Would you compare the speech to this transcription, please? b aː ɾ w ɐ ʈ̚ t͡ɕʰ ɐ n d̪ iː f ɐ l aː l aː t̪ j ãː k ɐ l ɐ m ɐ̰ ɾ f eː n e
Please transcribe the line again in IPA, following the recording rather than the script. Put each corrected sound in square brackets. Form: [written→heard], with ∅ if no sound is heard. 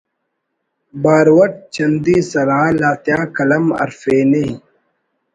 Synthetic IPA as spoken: b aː ɾ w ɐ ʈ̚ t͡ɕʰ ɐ n d̪ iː [f→s] ɐ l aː l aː t̪ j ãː k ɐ l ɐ m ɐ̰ ɾ f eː n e